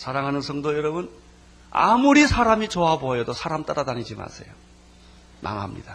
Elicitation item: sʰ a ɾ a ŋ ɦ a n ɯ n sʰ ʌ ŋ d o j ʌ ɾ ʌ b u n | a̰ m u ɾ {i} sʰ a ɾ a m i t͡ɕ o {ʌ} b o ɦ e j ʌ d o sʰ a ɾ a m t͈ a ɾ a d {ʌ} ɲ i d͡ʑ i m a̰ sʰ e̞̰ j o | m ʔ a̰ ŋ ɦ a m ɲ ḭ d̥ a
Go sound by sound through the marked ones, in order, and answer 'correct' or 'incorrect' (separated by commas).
correct, incorrect, incorrect